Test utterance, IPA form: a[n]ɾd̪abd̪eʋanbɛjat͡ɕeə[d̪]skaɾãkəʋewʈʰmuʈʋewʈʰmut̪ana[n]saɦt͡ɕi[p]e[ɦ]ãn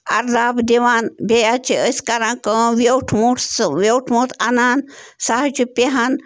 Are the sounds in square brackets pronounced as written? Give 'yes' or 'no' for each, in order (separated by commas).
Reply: no, no, yes, yes, yes